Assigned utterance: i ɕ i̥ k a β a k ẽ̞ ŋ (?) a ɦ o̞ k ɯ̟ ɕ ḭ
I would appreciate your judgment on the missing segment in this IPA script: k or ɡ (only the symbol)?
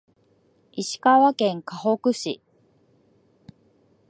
k